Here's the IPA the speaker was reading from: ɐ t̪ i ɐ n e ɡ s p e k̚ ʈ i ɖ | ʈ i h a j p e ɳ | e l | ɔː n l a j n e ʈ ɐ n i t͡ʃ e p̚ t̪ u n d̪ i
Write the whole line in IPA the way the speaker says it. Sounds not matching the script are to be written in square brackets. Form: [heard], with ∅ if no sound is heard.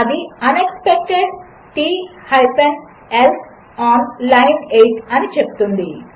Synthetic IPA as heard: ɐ [d̪] i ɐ n e [k] s p e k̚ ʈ [e] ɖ | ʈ i h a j p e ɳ | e l | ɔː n l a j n e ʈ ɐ n i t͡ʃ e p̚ t̪ u n d̪ i